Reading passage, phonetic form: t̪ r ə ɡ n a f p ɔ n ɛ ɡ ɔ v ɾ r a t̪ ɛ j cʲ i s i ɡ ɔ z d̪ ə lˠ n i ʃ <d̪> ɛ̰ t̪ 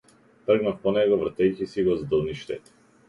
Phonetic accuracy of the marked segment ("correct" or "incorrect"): incorrect